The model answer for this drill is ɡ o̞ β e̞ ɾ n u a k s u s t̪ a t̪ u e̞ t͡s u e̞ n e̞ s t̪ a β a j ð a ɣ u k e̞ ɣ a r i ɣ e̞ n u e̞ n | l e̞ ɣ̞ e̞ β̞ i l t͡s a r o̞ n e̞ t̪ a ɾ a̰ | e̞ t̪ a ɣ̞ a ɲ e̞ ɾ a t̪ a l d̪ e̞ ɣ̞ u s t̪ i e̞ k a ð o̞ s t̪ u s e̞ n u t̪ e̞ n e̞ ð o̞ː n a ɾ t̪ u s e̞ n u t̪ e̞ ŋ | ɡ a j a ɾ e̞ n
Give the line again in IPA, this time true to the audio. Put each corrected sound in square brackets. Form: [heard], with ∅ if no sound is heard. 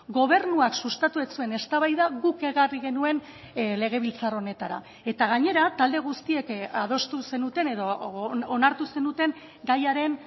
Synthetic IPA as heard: ɡ o̞ β e̞ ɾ n u a k s u s t̪ a t̪ u e̞ t͡s u e̞ n e̞ s t̪ a β a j ð a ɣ u k e̞ ɣ a r i ɣ e̞ n u e̞ n | l e̞ ɣ̞ e̞ β̞ i l t͡s a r o̞ n e̞ t̪ a ɾ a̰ | e̞ t̪ a ɣ̞ a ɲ e̞ ɾ a t̪ a l d̪ e̞ ɣ̞ u s t̪ i e̞ k a ð o̞ s t̪ u s e̞ n u t̪ e̞ n e̞ ð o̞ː n a ɾ t̪ u s e̞ n u t̪ e̞ ŋ | ɡ a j a ɾ e̞ n